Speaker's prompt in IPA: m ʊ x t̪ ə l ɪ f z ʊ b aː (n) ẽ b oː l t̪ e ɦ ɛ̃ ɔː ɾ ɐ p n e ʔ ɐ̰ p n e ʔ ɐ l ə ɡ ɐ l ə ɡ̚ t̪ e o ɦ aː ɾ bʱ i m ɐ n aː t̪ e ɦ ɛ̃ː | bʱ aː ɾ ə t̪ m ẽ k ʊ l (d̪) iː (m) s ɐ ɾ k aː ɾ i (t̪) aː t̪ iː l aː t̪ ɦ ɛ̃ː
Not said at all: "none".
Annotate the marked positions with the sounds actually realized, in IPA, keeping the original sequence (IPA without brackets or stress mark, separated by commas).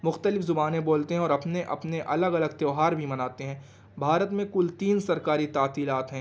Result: n, t̪, n, t̪